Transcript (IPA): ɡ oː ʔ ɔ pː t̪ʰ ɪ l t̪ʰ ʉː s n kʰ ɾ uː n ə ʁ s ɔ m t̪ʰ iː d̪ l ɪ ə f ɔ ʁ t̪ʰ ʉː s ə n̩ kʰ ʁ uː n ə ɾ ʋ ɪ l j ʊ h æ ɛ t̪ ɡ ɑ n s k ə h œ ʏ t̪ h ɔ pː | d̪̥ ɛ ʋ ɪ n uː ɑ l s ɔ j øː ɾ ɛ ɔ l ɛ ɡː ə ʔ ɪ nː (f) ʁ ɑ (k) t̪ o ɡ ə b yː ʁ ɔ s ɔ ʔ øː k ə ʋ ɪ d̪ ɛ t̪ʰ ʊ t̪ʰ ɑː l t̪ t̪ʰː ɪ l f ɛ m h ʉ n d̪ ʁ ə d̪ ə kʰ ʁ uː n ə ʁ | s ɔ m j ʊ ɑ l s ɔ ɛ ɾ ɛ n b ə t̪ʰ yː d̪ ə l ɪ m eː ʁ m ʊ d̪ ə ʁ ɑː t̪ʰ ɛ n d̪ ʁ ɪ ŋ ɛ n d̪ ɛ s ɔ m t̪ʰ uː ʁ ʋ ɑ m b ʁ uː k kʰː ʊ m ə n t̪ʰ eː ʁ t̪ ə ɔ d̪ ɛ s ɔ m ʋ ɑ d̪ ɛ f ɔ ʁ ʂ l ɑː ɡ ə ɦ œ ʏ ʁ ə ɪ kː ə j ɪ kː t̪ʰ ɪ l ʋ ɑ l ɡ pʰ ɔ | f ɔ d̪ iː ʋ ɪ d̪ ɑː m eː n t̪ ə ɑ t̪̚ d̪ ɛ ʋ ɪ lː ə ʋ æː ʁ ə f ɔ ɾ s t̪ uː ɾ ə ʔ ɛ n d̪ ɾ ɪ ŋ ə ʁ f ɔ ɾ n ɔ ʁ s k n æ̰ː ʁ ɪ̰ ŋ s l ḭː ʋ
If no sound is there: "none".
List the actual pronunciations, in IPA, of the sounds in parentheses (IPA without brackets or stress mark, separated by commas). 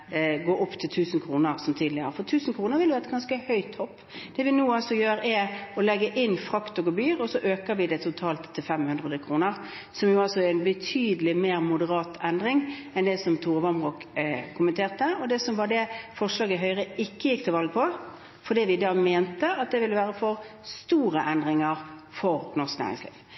f, k